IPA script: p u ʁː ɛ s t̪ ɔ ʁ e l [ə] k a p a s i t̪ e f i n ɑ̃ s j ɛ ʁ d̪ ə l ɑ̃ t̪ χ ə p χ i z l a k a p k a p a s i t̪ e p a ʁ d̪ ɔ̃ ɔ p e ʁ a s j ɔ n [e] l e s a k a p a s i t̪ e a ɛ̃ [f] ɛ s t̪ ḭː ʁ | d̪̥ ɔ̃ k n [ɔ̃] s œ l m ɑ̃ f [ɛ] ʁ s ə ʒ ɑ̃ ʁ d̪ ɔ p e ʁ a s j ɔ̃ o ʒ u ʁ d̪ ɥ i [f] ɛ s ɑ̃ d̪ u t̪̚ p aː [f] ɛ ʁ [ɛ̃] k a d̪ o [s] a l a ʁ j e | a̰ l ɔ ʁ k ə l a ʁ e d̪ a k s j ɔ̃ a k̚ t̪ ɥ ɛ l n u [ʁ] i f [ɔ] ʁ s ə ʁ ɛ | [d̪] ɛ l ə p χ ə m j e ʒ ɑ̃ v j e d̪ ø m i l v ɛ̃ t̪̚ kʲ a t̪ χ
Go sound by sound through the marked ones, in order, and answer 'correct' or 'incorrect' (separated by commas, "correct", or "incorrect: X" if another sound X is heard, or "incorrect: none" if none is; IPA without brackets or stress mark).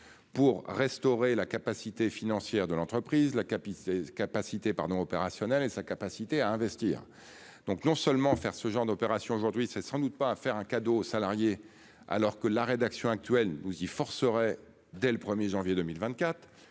incorrect: a, incorrect: ɛ, incorrect: v, correct, correct, incorrect: s, correct, correct, correct, incorrect: z, correct, correct